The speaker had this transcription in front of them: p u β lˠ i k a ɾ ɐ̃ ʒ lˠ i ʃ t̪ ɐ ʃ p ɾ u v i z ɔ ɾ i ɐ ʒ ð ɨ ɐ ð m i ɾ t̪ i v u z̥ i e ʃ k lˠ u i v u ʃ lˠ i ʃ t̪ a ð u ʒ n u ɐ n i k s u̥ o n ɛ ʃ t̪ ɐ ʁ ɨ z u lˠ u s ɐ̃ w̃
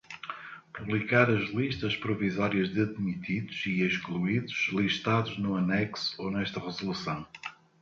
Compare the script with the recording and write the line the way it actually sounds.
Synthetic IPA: p u β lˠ i k a ɾ ɐ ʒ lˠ i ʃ t̪ ɐ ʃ p ɾ u v i z ɔ ɾ i ɐ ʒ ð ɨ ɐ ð m i t̪ i ð u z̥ i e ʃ k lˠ u i ð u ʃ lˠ i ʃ t̪ a ð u ʒ n u ɐ n ɛ k s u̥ o n ɛ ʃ t̪ ɐ ʁ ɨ z u lˠ u s ɐ̃ w̃